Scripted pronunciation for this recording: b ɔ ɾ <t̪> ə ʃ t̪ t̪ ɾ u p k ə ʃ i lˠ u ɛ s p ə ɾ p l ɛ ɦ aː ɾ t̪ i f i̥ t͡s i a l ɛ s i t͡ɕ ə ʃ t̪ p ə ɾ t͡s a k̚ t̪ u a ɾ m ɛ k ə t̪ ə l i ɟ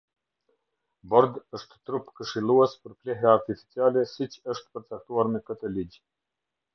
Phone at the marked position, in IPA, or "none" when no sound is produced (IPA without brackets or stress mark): d̪